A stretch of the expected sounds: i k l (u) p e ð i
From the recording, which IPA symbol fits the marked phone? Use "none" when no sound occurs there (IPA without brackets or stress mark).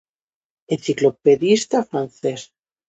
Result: o